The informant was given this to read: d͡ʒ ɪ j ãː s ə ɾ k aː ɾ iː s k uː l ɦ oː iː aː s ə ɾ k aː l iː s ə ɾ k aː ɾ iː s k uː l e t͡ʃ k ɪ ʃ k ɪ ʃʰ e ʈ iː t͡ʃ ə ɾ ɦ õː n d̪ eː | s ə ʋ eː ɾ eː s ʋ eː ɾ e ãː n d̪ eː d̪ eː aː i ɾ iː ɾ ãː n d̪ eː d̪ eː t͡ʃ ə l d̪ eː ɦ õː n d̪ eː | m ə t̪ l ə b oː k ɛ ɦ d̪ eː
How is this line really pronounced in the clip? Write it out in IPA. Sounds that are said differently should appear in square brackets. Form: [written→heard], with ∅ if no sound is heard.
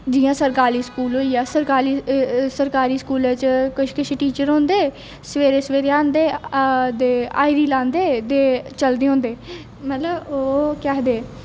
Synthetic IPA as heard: d͡ʒ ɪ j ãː s ə ɾ k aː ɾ iː s k uː l ɦ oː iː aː s ə ɾ k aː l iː s ə ɾ k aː ɾ iː s k uː l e t͡ʃ k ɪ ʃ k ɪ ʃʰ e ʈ iː t͡ʃ ə ɾ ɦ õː n d̪ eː | s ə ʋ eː ɾ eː s ʋ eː ɾ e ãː n d̪ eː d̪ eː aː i ɾ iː [ɾ→l] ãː n d̪ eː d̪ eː t͡ʃ ə l d̪ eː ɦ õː n d̪ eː | m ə t̪ l ə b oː k ɛ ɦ d̪ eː